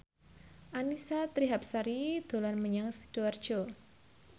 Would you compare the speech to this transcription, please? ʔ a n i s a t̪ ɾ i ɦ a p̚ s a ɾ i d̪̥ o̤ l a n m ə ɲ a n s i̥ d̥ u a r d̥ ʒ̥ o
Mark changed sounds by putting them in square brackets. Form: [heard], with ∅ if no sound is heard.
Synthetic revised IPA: ʔ a n i s a t̪ ɾ i ɦ a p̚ s a ɾ i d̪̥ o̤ l a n m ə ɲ a [ŋ] s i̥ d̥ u a r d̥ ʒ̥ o